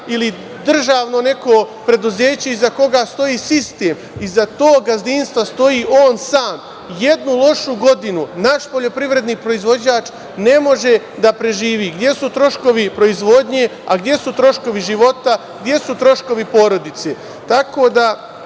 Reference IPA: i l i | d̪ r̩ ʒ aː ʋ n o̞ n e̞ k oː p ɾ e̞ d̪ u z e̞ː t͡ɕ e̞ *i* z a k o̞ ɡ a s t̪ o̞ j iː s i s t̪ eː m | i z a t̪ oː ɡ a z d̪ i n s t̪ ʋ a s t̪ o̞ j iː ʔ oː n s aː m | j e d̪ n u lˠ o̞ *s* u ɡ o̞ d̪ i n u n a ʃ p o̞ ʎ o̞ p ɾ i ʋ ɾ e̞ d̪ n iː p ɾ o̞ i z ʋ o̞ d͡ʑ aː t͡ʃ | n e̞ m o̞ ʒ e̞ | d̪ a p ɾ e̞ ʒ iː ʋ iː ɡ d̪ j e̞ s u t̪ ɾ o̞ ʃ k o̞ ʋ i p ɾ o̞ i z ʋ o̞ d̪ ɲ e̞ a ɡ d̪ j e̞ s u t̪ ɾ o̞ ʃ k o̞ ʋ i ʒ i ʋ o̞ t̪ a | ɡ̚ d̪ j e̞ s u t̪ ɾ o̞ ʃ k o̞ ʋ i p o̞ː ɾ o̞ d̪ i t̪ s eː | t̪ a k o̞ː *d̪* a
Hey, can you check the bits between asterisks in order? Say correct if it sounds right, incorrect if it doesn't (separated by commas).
correct, incorrect, correct